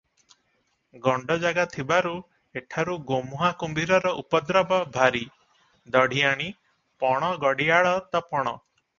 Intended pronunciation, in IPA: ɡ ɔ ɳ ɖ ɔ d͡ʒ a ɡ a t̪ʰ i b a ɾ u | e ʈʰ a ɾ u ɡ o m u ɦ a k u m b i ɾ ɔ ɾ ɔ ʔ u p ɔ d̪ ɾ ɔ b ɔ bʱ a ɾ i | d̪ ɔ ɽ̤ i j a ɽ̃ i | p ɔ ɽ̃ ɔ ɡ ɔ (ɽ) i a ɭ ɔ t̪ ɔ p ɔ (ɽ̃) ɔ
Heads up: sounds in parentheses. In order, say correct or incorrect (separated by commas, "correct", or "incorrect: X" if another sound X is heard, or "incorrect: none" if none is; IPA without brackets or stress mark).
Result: correct, correct